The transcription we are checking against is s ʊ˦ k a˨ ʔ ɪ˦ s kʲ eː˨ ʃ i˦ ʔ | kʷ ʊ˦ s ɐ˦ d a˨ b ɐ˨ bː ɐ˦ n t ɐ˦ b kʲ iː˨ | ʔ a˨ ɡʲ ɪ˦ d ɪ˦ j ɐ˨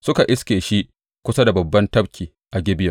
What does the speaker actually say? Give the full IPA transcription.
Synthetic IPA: s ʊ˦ k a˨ ʔ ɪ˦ s kʲ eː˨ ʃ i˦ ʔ | kʷ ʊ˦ s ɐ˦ d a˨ b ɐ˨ bː ɐ˦ n t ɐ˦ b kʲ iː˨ | ʔ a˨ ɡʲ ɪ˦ b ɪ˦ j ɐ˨